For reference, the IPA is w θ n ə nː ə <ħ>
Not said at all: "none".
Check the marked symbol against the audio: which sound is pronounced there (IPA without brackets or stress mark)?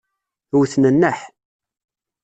ħ